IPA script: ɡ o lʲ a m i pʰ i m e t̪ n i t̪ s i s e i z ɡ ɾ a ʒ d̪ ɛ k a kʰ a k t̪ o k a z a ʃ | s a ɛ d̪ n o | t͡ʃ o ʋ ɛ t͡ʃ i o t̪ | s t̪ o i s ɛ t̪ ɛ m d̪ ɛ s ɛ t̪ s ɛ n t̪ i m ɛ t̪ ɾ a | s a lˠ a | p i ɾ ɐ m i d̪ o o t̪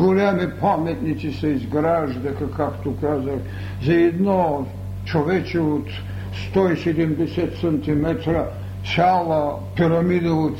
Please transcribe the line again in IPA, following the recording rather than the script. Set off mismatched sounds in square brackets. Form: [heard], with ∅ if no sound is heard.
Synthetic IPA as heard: ɡ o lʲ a m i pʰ [a] m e t̪ n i t̪ s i s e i z ɡ ɾ a ʒ d̪ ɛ k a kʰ a k t̪ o k a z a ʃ | [z] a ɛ d̪ n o | t͡ʃ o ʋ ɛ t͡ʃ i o t̪ | s t̪ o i s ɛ [d̪] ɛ m d̪ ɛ s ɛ t̪ s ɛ n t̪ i m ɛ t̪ ɾ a | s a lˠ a | p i ɾ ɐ m i d̪ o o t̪